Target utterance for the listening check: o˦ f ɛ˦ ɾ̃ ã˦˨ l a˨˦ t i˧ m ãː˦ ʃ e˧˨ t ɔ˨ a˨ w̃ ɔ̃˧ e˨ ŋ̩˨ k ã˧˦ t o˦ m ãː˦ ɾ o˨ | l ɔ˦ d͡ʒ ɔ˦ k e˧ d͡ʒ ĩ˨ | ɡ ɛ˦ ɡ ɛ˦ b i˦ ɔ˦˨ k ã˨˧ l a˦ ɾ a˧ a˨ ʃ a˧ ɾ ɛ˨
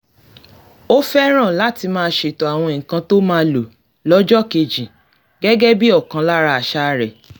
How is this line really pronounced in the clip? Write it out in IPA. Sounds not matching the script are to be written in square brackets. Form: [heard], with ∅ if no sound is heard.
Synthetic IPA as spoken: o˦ f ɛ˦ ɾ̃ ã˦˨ l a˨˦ t i˧ m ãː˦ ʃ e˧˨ t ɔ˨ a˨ w̃ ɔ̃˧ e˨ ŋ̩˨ k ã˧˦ t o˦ m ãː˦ [l] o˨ | l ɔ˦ d͡ʒ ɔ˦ k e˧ d͡ʒ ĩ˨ | ɡ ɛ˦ ɡ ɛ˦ b i˦ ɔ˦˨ k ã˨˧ l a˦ ɾ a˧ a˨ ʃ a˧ ɾ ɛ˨